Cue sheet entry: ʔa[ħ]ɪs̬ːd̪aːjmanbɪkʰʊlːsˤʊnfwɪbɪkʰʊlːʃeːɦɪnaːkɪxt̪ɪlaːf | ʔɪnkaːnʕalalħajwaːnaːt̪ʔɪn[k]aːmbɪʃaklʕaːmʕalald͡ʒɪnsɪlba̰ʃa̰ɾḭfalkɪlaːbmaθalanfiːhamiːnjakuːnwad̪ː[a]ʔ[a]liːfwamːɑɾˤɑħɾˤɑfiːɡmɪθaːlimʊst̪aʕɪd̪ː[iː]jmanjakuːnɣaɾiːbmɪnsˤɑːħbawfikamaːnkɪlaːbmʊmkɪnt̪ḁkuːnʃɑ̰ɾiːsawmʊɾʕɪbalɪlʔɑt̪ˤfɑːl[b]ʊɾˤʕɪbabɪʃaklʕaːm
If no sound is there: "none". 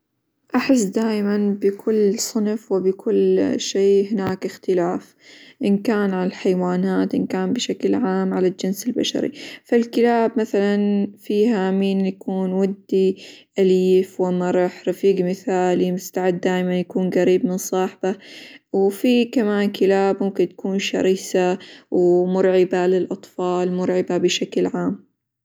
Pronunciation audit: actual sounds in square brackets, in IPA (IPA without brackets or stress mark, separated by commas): ħ, k, i, a, aː, m